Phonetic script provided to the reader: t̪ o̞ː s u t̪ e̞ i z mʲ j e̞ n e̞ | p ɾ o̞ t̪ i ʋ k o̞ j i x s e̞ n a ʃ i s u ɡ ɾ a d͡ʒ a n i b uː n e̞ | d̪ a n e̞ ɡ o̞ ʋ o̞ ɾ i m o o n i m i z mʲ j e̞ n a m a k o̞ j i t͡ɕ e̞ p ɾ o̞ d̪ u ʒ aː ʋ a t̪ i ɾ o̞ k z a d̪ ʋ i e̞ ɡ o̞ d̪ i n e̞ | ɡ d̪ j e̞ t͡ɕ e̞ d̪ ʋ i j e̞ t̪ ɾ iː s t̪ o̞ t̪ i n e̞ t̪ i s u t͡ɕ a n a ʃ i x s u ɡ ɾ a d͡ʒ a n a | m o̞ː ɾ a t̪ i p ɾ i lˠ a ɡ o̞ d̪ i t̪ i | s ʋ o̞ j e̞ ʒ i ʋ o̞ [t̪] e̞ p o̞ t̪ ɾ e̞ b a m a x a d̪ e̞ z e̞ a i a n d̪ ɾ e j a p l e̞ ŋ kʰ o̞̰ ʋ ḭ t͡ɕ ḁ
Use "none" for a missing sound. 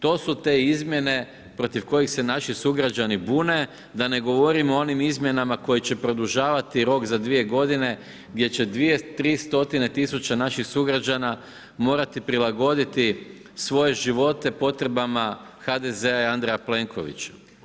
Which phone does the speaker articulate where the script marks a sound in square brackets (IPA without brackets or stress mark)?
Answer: t̪